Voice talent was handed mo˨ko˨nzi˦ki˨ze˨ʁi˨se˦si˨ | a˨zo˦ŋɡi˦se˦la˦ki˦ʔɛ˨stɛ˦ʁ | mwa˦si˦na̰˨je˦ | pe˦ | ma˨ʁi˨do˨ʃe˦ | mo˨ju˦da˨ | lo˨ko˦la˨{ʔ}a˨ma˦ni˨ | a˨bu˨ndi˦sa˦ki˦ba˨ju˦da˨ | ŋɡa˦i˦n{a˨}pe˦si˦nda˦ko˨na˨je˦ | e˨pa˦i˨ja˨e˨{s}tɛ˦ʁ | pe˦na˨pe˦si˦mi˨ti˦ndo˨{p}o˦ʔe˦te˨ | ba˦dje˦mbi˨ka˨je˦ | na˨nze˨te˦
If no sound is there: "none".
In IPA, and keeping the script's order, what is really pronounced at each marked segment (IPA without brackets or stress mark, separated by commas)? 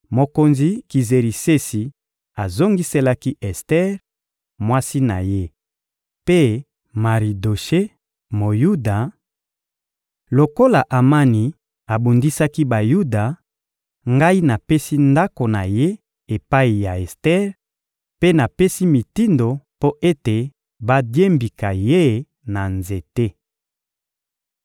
ʔ, a˨, s, p